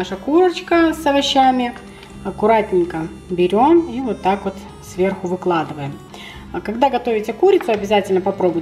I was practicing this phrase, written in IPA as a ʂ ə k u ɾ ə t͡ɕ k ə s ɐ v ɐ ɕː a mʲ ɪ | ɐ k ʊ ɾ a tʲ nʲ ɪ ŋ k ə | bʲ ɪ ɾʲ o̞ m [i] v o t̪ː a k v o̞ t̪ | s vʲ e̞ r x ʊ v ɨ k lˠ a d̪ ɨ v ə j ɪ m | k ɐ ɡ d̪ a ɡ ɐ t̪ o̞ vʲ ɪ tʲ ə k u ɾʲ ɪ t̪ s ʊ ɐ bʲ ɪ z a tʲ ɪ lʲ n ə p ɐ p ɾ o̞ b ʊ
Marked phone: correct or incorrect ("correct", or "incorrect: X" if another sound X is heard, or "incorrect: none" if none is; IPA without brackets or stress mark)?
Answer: correct